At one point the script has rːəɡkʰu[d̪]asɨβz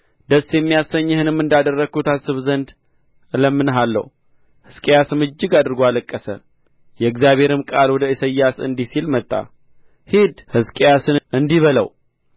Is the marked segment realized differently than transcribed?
yes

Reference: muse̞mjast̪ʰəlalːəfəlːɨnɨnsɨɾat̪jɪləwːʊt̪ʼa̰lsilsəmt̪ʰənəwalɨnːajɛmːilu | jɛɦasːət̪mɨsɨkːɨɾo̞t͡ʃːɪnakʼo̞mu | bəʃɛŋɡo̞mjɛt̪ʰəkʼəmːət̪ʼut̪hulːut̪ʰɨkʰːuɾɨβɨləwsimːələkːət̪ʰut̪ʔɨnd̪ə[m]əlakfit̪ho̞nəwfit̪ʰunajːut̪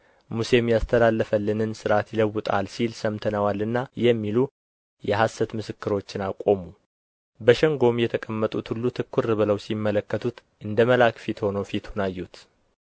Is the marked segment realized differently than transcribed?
no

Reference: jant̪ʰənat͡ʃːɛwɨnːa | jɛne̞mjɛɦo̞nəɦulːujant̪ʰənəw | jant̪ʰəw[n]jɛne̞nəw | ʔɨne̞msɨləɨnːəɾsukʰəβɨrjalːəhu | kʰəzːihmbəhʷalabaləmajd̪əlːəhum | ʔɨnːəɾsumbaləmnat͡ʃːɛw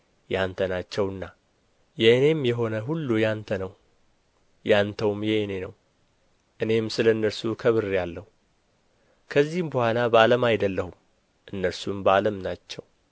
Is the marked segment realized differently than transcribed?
yes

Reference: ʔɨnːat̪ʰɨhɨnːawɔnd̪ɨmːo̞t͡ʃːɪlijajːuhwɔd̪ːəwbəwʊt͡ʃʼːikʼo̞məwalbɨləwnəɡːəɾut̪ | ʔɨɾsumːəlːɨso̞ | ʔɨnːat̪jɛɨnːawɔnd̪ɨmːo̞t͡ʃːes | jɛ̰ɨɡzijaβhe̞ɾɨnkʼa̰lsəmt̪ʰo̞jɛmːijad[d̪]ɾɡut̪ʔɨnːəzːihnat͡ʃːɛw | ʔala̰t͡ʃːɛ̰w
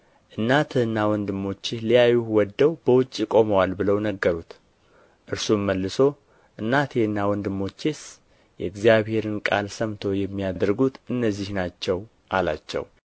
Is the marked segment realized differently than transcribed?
no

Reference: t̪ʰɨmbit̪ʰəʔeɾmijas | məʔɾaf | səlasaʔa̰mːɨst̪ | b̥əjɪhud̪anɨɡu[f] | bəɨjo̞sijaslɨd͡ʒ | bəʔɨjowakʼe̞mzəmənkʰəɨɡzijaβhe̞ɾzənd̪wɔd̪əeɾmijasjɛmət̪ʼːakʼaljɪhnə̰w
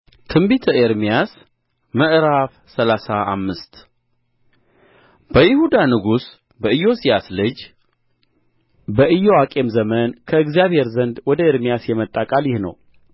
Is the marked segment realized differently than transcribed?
yes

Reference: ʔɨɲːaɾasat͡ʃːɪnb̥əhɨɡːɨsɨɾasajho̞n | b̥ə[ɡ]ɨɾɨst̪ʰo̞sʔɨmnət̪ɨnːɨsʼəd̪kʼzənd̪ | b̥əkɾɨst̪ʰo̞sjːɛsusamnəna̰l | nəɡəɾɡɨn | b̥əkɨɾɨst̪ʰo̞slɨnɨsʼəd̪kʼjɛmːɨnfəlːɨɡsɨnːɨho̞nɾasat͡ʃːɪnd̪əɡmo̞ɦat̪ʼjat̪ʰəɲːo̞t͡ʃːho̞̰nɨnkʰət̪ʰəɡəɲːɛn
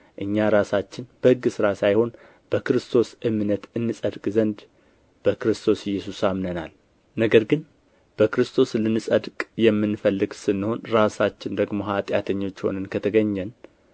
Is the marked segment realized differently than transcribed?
yes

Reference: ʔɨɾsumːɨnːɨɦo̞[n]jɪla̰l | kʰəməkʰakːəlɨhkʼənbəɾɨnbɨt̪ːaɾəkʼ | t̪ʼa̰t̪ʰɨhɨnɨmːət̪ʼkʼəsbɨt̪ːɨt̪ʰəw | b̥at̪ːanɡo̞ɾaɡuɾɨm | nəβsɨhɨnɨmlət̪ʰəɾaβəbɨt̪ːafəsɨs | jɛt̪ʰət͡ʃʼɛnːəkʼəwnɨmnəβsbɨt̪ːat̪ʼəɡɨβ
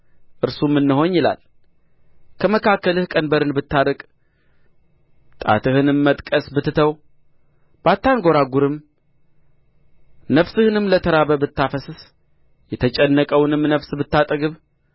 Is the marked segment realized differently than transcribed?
yes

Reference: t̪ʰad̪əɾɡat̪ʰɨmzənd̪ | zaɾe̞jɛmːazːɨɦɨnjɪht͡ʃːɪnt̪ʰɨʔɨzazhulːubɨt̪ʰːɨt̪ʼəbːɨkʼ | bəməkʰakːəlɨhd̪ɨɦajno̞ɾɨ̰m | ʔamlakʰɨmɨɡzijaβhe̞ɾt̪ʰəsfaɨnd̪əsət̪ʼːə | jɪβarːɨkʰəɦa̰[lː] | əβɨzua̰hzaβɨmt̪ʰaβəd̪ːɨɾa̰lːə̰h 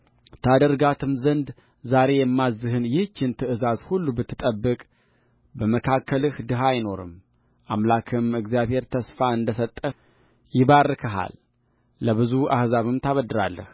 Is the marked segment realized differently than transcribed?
no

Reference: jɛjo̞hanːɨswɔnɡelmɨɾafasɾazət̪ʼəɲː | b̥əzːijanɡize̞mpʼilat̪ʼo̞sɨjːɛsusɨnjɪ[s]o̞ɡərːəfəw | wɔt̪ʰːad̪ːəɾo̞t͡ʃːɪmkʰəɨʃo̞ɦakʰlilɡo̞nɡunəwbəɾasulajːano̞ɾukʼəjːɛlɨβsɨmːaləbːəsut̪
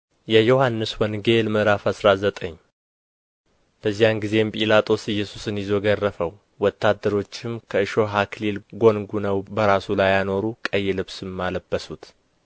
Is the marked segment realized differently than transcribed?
yes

